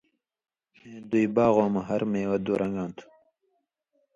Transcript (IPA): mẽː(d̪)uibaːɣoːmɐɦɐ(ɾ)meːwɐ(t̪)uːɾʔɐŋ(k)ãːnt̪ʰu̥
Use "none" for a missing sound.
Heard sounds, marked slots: d̪, ɾ, d̪, ɡ

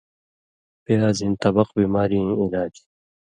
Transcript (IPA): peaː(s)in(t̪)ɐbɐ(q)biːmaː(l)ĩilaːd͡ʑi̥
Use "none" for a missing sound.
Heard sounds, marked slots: z, t̪, q, ɾ

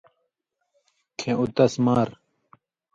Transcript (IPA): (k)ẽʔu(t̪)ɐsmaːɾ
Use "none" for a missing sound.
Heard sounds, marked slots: kʰ, t̪

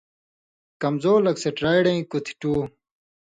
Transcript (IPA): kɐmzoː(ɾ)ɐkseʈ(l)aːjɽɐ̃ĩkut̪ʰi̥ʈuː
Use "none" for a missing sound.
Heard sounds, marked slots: l, ɾ

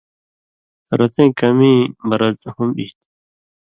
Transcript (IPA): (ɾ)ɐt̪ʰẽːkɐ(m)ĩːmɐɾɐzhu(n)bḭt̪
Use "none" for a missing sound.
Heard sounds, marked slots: ɾ, m, m

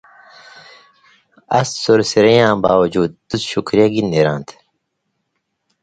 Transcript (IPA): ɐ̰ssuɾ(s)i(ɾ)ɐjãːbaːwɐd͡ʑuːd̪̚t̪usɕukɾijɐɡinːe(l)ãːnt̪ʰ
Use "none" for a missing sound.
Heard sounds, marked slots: s, ɾ, ɾ

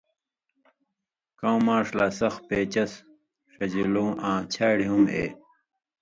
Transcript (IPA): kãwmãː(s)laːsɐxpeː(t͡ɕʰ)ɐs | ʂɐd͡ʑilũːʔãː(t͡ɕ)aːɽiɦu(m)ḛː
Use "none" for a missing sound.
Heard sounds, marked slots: ʂ, t͡ɕ, t͡ɕʰ, m

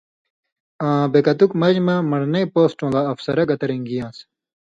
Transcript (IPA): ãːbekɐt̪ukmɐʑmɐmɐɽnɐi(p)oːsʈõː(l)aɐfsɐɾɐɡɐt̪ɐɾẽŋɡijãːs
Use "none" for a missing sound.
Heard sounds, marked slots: p, l

